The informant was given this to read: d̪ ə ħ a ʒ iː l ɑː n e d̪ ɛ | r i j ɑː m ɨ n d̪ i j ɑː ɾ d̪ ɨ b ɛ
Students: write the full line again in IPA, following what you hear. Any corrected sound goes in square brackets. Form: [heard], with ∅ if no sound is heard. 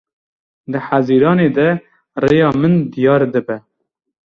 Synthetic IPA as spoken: d̪ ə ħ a [z] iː [ɾ] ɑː n e d̪ ɛ | r [e] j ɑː m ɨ n d̪ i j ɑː ɾ d̪ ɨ b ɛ